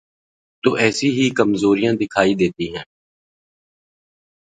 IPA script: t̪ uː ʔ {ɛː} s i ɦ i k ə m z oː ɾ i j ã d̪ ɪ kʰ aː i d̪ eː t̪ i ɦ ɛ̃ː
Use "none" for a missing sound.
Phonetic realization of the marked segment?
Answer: ɛː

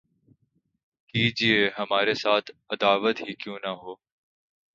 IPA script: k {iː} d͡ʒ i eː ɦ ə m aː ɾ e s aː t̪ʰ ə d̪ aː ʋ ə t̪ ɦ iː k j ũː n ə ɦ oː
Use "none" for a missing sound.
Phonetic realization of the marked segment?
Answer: iː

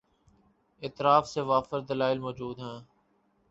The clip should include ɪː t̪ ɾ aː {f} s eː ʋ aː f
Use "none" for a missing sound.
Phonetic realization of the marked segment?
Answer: f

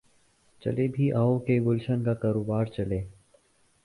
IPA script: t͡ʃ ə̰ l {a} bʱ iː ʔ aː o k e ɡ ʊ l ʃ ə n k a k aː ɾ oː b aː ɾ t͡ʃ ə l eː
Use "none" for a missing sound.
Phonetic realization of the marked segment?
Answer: e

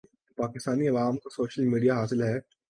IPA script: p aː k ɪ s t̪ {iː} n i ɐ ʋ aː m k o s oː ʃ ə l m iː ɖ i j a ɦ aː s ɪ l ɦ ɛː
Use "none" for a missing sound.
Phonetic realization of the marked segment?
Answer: aː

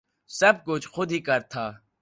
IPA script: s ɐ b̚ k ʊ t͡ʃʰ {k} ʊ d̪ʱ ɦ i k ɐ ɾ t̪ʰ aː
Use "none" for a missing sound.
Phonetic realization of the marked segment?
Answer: x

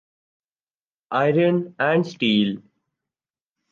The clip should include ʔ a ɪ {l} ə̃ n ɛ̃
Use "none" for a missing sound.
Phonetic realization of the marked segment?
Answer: ɾ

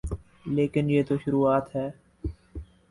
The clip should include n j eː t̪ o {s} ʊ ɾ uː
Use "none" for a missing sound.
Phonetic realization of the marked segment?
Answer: ʃ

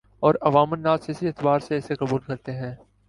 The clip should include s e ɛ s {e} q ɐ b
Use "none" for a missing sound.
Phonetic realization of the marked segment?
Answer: e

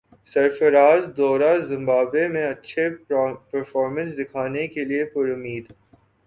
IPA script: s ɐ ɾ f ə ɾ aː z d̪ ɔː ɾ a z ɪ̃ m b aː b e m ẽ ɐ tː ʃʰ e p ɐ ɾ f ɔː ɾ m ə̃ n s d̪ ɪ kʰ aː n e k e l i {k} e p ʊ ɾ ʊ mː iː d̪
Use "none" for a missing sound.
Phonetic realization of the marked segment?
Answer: none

